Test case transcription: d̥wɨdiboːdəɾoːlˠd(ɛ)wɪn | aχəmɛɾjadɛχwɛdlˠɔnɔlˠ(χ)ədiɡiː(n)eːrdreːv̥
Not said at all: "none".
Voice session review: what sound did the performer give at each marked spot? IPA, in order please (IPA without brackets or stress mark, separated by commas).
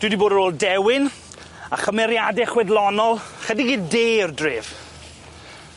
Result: ɛ, χ, d